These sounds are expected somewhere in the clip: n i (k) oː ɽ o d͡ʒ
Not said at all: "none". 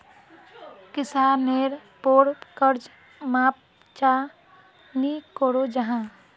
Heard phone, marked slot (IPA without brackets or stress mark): k